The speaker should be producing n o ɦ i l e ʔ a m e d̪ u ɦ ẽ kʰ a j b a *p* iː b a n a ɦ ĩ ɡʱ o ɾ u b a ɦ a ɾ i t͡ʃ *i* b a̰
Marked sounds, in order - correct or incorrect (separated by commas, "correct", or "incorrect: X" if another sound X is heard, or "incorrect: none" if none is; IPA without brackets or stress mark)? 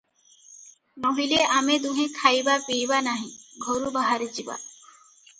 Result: correct, correct